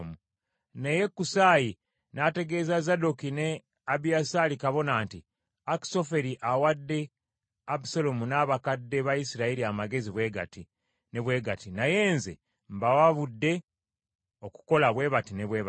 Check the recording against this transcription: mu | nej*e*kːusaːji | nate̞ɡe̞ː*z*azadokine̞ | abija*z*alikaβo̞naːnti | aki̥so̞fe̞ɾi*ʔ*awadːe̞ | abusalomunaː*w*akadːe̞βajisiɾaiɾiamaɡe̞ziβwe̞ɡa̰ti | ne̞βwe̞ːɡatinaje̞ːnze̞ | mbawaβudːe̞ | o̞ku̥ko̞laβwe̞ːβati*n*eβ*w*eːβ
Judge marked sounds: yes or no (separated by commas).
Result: yes, yes, no, yes, no, yes, yes